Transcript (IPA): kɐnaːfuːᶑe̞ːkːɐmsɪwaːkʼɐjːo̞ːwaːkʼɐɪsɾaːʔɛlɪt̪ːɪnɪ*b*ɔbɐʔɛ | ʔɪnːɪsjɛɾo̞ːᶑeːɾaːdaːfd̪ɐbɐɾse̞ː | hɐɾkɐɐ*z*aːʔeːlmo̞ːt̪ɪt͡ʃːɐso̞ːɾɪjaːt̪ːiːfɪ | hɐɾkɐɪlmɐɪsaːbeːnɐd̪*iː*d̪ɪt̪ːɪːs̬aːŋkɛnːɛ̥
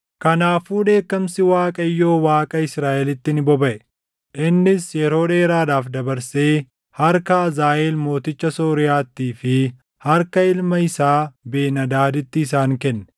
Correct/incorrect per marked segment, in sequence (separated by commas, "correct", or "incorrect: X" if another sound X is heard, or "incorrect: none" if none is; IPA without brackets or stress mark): correct, correct, incorrect: aː